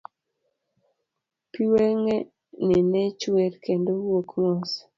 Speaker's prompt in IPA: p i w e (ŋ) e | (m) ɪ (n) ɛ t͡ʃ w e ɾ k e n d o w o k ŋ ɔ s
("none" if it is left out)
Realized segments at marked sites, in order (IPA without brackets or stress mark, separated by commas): ŋ, n, n